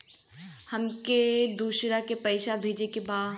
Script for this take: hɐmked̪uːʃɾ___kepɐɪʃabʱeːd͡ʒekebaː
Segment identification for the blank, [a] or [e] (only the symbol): a